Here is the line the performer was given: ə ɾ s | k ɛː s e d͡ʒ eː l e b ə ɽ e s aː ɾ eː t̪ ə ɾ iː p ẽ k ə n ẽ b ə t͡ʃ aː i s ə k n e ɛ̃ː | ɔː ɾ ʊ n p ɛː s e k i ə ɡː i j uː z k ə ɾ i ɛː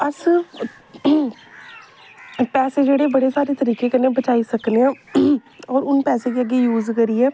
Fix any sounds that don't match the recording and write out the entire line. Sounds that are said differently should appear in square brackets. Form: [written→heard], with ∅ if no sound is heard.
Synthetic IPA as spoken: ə ɾ s | [k→p] ɛː s e d͡ʒ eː [l→ɽ] e b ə ɽ e s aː ɾ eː t̪ ə ɾ iː [p→k] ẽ k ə n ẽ b ə t͡ʃ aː i s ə k n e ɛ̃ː | ɔː ɾ ʊ n p ɛː s e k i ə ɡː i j uː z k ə ɾ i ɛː